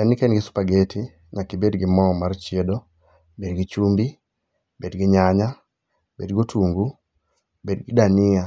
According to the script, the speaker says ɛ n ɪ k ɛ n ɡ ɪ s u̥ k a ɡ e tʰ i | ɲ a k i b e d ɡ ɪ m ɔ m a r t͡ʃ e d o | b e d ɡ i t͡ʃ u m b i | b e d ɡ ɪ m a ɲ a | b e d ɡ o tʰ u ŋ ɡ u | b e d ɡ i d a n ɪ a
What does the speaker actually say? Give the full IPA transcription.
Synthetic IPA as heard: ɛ n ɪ k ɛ n ɡ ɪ s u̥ p a ɡ e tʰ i | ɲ a k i b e d ɡ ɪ m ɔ m a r t͡ʃ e d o | b e d ɡ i t͡ʃ u m b i | b e d ɡ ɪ ɲ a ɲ a | b e d ɡ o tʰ u ŋ ɡ u | b e d ɡ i d a n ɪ a

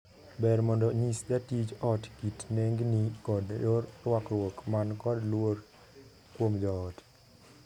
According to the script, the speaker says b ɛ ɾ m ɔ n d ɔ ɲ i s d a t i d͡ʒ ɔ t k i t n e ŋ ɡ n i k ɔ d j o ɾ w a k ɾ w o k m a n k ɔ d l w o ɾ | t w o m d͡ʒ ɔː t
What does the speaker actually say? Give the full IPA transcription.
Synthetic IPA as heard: b ɛ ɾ m ɔ n d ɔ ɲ i s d a t i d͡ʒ ɔ t k i t n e ŋ ɡ n i k ɔ d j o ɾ w a k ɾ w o k m a n k ɔ d l w o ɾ | k w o m d͡ʒ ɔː t

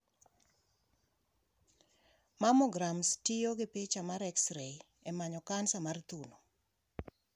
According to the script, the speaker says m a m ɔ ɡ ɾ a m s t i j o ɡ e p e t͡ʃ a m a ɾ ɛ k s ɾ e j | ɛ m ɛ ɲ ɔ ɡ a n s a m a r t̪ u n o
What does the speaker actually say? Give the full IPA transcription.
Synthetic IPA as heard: m a m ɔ ɡ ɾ a m s t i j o ɡ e p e t͡ʃ a m a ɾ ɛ k s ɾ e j | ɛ m a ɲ ɔ k a n s a m a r t̪ u n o

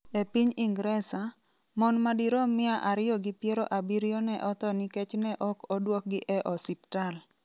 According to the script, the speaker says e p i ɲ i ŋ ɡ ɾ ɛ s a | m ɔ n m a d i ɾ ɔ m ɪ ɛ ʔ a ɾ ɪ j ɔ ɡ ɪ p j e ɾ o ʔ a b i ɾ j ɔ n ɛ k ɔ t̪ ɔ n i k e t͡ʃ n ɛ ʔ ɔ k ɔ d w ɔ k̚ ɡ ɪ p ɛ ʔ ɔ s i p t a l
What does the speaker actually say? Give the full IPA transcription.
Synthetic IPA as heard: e p i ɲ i ŋ ɡ ɾ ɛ s a | m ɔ n m a d i ɾ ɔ m ɪ a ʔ a ɾ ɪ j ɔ ɡ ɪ p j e ɾ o ʔ a b i ɾ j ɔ n ɛ ʔ ɔ t̪ ɔ n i k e t͡ʃ n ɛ ʔ ɔ k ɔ d w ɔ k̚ ɡ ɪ ʔ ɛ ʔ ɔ s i p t a l

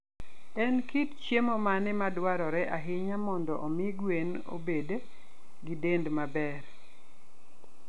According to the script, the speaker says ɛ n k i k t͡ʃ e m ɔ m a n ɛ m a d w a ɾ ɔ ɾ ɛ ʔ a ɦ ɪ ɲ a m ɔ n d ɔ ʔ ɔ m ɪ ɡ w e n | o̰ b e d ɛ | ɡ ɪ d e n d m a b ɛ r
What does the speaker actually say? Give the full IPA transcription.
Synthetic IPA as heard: ɛ n k i t t͡ʃ e m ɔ m a n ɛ m a d w a ɾ ɔ ɾ ɛ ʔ a ɦ ɪ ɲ a m ɔ n d ɔ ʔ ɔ m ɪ ɡ w e n | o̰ b e d e | ɡ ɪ d e n d m a b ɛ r

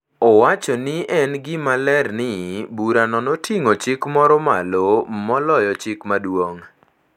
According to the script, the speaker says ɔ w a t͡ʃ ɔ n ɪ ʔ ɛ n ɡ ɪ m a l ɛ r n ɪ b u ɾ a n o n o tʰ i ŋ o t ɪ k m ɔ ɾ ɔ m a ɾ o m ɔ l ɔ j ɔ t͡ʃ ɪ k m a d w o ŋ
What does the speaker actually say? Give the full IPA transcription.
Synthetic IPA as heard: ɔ w a t͡ʃ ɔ n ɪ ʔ ɛ n ɡ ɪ m a l ɛ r n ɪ b u ɾ a n ɔ n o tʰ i ŋ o t͡ʃ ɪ k m ɔ ɾ ɔ m a l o m ɔ l ɔ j ɔ t͡ʃ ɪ k m a d w o ŋ

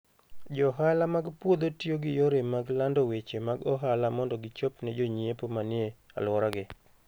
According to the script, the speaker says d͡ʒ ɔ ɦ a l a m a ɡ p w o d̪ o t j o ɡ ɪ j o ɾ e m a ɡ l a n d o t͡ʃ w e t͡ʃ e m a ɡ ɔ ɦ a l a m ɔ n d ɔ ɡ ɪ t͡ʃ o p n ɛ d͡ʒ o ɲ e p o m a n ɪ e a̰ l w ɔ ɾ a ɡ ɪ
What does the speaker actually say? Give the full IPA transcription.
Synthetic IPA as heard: d͡ʒ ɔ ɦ a l a m a ɡ p w o d̪ o t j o ɡ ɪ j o ɾ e m a ɡ l a n d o w e t͡ʃ e m a ɡ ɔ ɦ a l a m ɔ n d ɔ ɡ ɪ t͡ʃ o p n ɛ d͡ʒ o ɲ e p o m a n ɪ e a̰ l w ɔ ɾ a ɡ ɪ

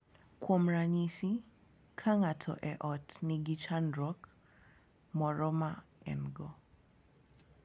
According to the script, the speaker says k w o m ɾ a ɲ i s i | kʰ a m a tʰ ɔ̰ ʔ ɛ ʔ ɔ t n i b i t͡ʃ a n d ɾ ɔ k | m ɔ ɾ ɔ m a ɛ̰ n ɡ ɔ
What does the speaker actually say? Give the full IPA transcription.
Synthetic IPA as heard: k w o m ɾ a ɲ i s i | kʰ a ŋ a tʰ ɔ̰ ʔ ɛ ʔ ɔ t n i ɡ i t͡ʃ a n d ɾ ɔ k | m ɔ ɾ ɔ m a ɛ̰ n ɡ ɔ

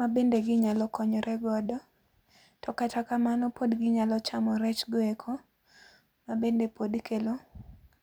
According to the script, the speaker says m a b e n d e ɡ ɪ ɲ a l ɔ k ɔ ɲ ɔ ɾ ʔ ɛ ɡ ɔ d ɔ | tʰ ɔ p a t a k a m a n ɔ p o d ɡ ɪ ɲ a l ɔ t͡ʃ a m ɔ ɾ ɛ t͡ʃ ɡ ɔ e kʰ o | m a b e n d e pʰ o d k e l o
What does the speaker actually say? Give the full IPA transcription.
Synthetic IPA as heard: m a b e n d e ɡ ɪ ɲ a l ɔ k ɔ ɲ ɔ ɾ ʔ ɛ ɡ ɔ d ɔ | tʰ ɔ k a t a k a m a n ɔ p o d ɡ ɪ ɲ a l ɔ t͡ʃ a m ɔ ɾ ɛ t͡ʃ ɡ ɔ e kʰ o | m a b e n d e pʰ o d k e l o

